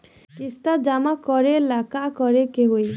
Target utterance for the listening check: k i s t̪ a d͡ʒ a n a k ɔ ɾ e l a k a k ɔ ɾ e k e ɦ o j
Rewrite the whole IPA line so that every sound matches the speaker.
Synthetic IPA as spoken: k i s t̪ a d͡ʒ a m a k ɔ ɾ e l a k a k ɔ ɾ e k e ɦ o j